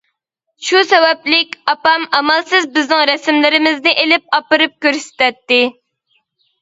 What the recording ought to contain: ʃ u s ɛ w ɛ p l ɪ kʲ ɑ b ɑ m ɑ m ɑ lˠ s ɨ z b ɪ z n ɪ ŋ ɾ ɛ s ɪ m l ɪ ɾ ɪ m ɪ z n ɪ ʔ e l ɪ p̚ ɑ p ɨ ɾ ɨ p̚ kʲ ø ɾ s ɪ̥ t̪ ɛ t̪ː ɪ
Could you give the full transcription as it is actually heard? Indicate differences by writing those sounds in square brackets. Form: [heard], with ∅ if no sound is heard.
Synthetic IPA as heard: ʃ u s ɛ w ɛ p l ɪ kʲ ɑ [p] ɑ m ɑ m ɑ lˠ s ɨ z b ɪ z n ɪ ŋ ɾ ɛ s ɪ m l ɪ ɾ ɪ m ɪ z n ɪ ʔ e l ɪ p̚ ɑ p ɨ ɾ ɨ p̚ kʲ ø ɾ s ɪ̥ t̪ ɛ t̪ː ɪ